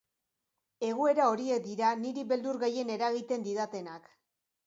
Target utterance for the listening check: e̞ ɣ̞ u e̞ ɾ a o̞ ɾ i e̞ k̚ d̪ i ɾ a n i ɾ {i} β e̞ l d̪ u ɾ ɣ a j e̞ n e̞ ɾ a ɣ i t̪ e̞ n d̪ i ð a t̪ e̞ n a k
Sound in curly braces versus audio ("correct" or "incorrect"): correct